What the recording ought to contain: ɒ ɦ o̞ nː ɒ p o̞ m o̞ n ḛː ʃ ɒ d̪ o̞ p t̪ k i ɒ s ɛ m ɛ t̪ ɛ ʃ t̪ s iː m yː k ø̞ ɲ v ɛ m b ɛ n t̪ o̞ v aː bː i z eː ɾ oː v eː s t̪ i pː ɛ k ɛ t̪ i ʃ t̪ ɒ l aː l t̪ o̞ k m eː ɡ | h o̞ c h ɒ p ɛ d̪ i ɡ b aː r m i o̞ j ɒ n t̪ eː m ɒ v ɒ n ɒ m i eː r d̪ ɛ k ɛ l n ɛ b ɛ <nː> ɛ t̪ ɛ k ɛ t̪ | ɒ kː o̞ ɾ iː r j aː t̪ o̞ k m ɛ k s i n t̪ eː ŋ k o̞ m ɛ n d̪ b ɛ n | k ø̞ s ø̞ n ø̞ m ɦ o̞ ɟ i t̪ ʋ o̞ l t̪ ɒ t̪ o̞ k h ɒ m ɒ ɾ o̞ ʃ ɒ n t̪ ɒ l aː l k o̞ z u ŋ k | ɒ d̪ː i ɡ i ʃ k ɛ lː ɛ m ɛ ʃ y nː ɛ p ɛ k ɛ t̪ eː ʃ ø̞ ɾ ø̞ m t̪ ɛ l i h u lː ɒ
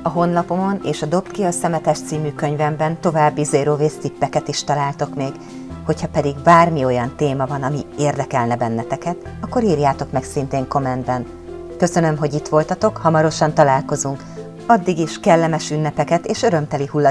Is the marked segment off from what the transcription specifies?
no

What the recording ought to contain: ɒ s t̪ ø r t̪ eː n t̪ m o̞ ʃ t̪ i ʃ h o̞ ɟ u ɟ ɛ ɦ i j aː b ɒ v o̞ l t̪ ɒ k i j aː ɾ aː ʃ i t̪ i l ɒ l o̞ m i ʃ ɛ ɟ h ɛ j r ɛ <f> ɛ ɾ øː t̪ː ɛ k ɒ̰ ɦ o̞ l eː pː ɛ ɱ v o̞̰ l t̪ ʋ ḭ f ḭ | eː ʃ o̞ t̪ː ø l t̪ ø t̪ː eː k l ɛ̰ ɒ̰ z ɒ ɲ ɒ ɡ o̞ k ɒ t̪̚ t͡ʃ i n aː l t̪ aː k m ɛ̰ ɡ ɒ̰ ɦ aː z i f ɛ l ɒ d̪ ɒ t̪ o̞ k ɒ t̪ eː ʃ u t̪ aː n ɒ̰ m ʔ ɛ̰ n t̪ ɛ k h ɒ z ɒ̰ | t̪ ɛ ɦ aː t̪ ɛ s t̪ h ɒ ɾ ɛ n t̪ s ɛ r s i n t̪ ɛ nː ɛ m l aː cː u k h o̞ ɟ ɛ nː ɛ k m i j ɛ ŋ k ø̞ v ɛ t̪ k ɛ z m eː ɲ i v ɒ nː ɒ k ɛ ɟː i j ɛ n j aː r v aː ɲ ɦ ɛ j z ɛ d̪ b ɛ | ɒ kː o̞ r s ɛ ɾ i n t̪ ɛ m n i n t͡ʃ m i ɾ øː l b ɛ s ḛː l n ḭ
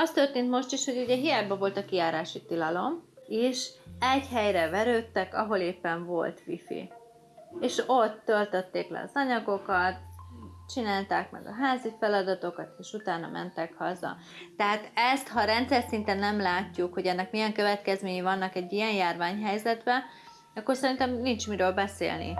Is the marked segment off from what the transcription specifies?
yes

